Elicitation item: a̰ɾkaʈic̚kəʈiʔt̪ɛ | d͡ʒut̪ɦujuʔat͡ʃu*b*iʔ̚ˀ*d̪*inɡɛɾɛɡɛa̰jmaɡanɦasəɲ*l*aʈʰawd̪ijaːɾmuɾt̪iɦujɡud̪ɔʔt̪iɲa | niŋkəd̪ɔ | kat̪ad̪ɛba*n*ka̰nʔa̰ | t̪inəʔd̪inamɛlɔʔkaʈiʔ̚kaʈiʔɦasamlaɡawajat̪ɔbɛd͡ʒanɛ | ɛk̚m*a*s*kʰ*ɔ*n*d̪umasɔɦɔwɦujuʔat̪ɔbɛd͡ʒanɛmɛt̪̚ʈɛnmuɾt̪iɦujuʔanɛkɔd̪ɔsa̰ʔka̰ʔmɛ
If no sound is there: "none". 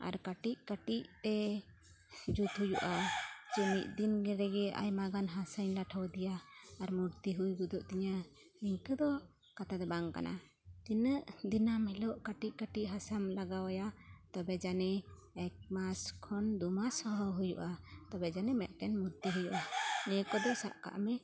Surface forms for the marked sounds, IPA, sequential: m, d̪, l, ŋ, a, kʰ, n

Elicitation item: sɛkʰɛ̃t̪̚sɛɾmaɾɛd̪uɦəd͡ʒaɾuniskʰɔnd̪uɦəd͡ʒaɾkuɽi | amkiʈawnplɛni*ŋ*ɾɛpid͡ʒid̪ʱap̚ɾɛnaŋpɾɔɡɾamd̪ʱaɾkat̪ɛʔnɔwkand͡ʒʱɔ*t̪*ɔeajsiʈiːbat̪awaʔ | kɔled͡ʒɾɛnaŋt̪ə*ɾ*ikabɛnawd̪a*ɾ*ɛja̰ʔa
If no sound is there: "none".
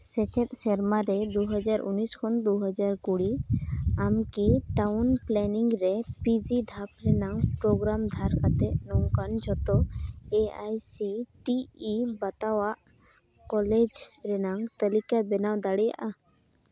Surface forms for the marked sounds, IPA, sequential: ŋ, t̪, l, ɽ

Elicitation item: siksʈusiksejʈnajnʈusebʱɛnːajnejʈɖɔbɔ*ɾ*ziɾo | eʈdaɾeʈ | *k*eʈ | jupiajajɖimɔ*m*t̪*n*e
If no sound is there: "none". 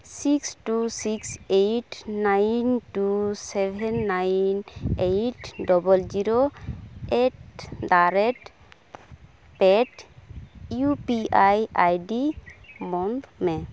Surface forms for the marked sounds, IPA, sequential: l, p, n, m

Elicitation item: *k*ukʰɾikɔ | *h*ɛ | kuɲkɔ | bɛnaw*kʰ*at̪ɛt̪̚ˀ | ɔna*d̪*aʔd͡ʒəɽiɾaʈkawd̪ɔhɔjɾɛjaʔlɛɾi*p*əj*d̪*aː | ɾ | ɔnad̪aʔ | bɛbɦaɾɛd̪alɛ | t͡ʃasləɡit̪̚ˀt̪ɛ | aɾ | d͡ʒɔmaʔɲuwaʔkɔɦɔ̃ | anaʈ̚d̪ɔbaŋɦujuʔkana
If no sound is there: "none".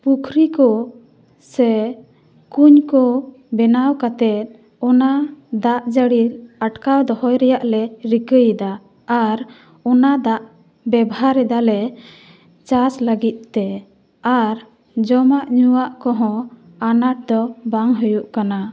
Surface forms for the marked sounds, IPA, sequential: p, s, k, d̪, k, d̪

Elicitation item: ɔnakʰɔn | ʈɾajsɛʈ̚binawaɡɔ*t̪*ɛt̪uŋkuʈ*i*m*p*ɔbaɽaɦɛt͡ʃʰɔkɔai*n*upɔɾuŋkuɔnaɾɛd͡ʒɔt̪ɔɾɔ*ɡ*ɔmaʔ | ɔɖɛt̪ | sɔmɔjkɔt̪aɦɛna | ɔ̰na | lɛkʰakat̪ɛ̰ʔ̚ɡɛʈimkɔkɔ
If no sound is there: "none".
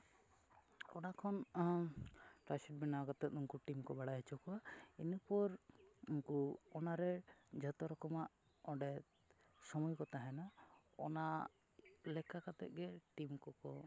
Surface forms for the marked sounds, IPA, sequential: t̪, i, k, n, k

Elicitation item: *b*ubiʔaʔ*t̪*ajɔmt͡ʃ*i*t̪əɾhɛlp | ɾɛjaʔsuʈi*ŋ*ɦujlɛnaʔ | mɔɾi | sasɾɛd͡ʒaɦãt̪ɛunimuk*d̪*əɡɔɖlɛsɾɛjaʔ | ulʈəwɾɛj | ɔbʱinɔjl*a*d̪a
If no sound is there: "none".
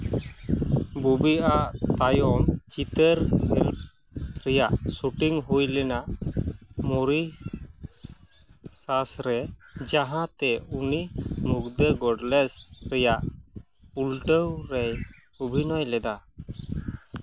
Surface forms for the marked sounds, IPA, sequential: b, t̪, i, ŋ, d̪, ɛ

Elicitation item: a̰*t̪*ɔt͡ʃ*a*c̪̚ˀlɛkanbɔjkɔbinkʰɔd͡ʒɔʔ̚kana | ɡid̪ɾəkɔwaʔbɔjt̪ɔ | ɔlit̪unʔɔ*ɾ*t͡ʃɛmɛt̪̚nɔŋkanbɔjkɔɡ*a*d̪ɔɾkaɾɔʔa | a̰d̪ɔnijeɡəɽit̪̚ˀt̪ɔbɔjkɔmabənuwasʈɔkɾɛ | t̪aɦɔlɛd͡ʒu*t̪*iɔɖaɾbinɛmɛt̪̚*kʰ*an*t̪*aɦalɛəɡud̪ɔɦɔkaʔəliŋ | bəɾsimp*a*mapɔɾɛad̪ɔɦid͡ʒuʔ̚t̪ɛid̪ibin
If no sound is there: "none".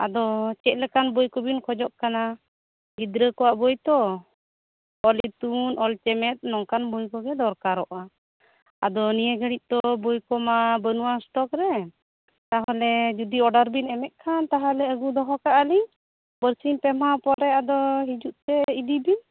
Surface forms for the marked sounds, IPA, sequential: d̪, ɛ, l, ɛ, d̪, kʰ, t̪, ɛ

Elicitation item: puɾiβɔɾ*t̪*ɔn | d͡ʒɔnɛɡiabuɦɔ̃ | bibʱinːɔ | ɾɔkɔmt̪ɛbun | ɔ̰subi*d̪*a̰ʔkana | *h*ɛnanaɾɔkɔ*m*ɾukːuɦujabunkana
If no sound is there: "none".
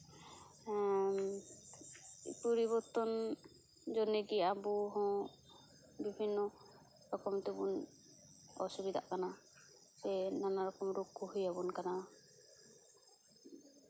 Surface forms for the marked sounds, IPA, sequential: t̪, d̪, s, m

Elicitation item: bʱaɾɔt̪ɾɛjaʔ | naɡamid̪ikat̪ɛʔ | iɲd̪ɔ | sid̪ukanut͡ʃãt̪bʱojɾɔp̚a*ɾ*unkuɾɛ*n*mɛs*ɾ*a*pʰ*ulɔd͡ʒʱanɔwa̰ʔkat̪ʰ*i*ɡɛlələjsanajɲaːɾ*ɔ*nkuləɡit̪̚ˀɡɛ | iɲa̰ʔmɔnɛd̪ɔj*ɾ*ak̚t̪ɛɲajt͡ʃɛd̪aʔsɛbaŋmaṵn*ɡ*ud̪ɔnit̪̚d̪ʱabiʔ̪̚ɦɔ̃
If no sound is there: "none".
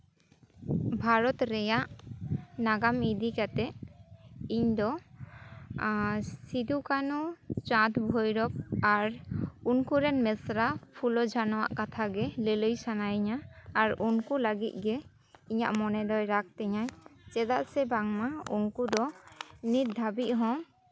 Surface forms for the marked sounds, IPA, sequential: ɾ, n, ɾ, pʰ, a, u, ɾ, k

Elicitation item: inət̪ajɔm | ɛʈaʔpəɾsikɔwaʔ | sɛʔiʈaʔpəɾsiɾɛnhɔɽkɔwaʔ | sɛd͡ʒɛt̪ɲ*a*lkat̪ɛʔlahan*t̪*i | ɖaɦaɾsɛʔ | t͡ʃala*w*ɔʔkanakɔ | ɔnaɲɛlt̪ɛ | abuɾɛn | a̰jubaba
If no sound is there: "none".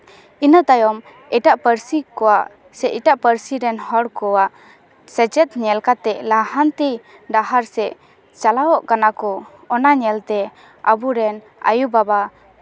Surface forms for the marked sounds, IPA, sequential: ɛ, t̪, w

